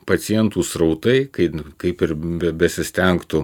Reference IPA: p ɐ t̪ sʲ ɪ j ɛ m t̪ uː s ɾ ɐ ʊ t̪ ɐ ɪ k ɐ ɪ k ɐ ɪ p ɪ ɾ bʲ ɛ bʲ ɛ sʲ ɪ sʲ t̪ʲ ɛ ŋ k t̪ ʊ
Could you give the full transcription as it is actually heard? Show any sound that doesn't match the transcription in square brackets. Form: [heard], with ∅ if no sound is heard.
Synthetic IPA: p ɐ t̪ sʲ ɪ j ɛ [n] t̪ uː s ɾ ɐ ʊ t̪ ɐ ɪ k ɐ ɪ k ɐ ɪ p ɪ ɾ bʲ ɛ bʲ ɛ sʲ ɪ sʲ t̪ʲ ɛ ŋ k t̪ ʊ